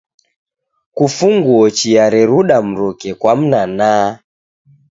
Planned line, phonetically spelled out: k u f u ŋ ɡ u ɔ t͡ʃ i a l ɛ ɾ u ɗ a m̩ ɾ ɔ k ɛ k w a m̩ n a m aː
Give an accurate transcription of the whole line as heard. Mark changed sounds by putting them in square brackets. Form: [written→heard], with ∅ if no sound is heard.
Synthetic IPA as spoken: k u f u ŋ ɡ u ɔ t͡ʃ i a [l→ɾ] ɛ ɾ u ɗ a m̩ ɾ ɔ k ɛ k w a m̩ n a [m→n] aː